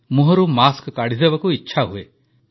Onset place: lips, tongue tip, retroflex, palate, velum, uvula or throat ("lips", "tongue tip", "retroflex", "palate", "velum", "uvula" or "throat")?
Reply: lips